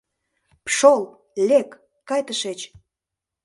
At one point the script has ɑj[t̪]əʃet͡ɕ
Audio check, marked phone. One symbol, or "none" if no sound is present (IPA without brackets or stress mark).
t̪